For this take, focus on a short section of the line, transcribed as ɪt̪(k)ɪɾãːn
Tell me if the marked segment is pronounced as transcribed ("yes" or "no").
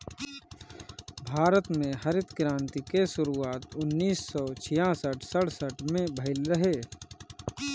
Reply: yes